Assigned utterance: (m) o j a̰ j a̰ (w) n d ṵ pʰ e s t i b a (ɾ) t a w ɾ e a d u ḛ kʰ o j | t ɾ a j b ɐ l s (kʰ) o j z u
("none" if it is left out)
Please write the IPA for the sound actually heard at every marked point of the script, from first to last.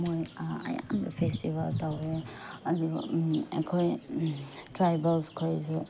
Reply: m, none, l, kʰ

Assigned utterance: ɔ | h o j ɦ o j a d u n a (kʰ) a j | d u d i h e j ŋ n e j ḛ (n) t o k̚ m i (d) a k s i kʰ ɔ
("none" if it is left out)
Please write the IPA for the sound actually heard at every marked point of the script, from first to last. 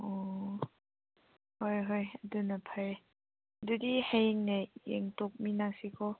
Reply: pʰ, ŋ, n

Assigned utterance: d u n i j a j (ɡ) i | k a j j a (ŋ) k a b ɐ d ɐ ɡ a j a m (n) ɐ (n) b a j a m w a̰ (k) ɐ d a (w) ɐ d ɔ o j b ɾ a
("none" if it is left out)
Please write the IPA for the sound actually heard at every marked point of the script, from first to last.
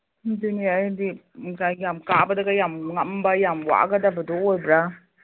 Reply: d, m, ŋ, m, ɡ, b

